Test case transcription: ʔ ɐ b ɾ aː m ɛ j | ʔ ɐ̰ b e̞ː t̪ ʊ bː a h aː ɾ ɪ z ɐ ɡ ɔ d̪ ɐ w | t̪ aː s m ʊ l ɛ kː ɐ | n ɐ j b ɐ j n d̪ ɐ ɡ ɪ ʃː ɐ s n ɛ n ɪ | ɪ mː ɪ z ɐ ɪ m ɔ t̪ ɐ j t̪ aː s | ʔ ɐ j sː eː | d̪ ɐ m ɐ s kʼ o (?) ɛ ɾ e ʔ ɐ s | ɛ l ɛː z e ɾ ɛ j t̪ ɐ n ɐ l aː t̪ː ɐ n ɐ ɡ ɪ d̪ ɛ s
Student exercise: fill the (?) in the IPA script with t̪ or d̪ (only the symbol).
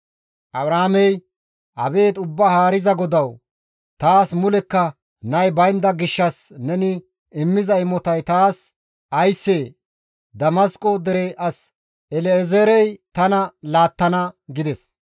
d̪